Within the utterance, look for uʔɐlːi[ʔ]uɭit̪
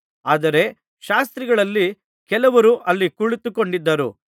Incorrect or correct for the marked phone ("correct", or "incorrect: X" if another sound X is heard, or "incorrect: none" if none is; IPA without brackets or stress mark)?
incorrect: k